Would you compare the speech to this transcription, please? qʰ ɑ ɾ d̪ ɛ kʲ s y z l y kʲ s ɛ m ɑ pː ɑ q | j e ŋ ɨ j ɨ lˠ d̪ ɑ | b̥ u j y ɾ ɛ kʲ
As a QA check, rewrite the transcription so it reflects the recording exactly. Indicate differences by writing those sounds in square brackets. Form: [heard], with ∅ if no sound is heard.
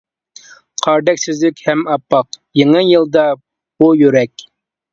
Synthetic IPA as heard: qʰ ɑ ɾ d̪ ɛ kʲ s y z l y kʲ [h] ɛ m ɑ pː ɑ q | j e ŋ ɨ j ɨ lˠ d̪ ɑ | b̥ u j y ɾ ɛ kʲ